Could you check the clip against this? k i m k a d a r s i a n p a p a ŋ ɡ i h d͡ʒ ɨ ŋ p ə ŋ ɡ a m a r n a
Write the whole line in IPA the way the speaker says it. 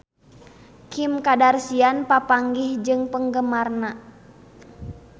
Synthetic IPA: k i m k a d a r s i a n p a p a ŋ ɡ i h d͡ʒ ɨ ŋ p ə ŋ ɡ ə m a r n a